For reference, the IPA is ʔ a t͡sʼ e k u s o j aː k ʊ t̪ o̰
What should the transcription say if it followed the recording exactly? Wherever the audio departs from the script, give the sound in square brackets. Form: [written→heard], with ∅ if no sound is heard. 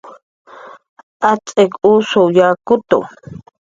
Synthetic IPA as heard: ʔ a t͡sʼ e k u s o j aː k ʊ t̪ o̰